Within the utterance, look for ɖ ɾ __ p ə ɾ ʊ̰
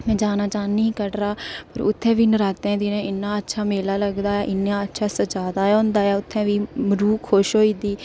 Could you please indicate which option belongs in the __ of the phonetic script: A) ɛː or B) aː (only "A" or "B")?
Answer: B